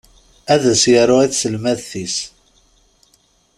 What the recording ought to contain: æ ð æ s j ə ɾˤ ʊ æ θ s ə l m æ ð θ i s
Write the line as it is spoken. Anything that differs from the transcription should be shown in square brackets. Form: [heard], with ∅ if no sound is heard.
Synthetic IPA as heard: æ ð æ s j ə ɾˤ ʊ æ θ s ə l m æ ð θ i s